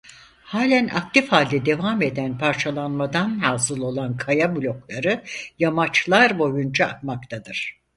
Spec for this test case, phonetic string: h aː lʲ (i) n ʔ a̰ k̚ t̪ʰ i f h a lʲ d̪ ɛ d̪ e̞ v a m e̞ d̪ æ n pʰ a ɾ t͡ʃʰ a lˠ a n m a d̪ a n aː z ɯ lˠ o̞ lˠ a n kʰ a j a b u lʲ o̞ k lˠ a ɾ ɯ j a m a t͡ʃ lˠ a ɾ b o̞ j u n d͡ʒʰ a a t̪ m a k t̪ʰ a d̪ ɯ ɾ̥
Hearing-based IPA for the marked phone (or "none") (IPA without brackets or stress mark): æ